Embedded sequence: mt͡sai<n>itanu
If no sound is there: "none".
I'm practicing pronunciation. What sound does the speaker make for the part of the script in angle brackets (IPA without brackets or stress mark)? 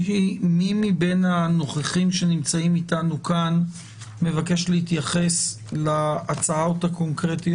m